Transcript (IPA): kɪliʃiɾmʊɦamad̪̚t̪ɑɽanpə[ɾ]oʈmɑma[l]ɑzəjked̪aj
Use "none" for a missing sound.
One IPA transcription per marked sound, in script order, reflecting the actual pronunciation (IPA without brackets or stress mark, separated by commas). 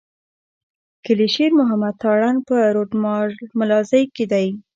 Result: ɾ, l